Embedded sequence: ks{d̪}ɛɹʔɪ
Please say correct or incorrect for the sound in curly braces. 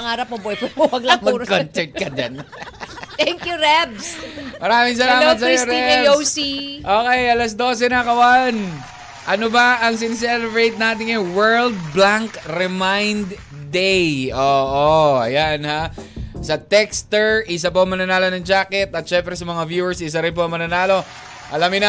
incorrect